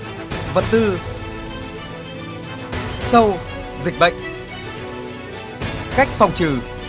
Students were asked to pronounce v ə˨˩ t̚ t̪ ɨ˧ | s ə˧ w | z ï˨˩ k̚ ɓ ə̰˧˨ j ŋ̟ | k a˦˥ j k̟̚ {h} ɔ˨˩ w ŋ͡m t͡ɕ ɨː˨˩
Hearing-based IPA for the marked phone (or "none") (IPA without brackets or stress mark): f